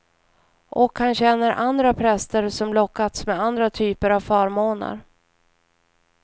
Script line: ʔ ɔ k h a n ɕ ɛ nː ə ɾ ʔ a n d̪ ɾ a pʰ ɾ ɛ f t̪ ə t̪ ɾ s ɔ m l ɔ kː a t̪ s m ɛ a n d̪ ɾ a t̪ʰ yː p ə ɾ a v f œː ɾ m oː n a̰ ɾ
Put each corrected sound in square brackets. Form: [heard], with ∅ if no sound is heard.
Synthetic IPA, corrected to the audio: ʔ ɔ k h a n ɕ ɛ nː ə ɾ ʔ a n d̪ ɾ a pʰ ɾ ɛ [s] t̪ ə [∅] ɾ s ɔ m l ɔ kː a t̪ s m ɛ a n d̪ ɾ a t̪ʰ yː p ə ɾ a v f œː ɾ m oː n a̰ ɾ